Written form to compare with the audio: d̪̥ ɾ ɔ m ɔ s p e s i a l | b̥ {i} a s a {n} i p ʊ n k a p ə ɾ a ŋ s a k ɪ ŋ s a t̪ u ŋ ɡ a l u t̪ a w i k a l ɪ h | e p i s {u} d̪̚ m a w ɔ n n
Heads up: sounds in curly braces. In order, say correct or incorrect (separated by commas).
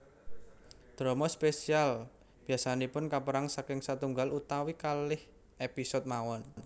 correct, correct, incorrect